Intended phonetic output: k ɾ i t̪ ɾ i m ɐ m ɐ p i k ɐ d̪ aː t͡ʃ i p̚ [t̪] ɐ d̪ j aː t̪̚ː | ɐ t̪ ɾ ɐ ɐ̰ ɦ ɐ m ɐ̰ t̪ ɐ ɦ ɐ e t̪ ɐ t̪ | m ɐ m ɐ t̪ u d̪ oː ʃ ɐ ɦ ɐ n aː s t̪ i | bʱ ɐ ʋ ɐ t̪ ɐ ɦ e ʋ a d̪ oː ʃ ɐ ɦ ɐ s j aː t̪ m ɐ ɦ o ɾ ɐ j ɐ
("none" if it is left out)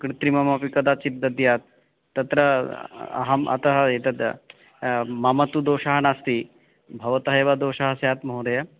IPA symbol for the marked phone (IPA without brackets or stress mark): d̪